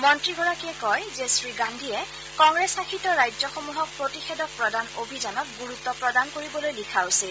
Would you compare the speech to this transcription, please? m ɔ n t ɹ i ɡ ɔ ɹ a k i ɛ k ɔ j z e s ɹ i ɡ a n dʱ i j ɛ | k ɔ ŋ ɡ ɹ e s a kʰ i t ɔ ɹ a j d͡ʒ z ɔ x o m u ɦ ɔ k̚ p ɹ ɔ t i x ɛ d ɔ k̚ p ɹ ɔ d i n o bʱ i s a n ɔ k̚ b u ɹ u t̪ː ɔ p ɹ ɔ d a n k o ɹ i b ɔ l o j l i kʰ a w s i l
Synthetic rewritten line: m ɔ n t ɹ i ɡ ɔ ɹ a k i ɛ k ɔ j z e s ɹ i ɡ a n dʱ i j ɛ | k ɔ ŋ ɡ ɹ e s a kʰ i t ɔ ɹ a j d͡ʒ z ɔ x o m u ɦ ɔ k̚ p ɹ o t i x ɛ d ɔ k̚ p ɹ ɔ d a n o bʱ i z a n ɔ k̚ ɡ u ɹ u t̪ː ɔ p ɹ ɔ d a n k o ɹ i b ɔ l o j l i kʰ a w s i l